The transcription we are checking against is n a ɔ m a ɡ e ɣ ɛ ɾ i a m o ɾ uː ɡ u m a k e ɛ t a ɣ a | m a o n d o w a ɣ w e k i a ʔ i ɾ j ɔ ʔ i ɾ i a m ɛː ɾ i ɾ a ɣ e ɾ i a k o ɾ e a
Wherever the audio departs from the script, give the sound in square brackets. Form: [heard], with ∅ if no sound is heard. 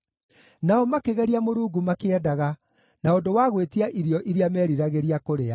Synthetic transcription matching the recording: n a ɔ m a [k] e ɣ ɛ ɾ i a m o ɾ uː ɡ u m a k e ɛ [d] a ɣ a | [n] a o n d o w a ɣ w e [t] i a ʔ i ɾ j ɔ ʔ i ɾ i a m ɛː ɾ i ɾ a ɣ e ɾ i a k o ɾ e a